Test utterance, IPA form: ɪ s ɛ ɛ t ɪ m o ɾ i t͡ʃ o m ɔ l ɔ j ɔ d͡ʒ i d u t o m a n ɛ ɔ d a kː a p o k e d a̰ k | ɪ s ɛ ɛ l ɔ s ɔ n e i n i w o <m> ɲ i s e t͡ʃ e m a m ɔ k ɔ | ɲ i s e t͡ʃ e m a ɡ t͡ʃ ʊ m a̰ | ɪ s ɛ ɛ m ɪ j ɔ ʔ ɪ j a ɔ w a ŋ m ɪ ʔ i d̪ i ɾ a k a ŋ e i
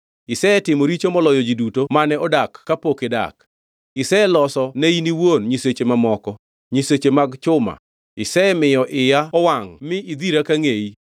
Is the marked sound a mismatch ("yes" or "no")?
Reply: yes